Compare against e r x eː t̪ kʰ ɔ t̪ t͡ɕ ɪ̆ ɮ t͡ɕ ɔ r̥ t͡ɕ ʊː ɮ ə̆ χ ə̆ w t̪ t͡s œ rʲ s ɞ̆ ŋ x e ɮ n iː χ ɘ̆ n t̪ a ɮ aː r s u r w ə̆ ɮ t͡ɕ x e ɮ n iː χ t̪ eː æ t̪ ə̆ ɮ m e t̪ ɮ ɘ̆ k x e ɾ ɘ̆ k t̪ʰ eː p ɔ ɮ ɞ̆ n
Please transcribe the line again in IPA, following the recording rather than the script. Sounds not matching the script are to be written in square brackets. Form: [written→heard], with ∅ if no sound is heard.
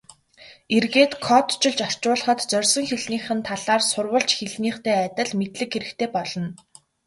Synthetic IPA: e r [x→ɣ] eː t̪ kʰ ɔ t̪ t͡ɕ ɪ̆ ɮ t͡ɕ ɔ r̥ t͡ɕ ʊː ɮ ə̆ χ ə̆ [w→∅] t̪ t͡s œ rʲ s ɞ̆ ŋ x e ɮ n iː χ ɘ̆ n [t̪→t̪ʰ] a ɮ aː r s [u→ʊ] r w ə̆ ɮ t͡ɕ x e ɮ n iː χ t̪ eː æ t̪ ə̆ ɮ m e t̪ ɮ ɘ̆ k x e ɾ ɘ̆ k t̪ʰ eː p ɔ ɮ ɞ̆ n